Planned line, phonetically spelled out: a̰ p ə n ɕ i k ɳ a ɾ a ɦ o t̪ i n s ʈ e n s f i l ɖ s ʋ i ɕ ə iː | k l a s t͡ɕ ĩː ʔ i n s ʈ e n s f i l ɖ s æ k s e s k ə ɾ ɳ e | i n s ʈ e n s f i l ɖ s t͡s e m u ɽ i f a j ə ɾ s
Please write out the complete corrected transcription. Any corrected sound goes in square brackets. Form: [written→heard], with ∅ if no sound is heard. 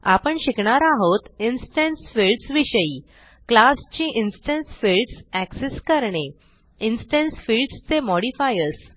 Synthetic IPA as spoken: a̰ p ə [n→ɳ] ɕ i k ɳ a ɾ a ɦ o t̪ i n s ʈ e n s f i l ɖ s ʋ i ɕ ə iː | k l a s t͡ɕ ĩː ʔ i n s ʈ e n s f i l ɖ s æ k s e s k ə ɾ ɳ e | i n s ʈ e n s f i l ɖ s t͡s e m [u→ɔ] ɽ i f a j ə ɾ s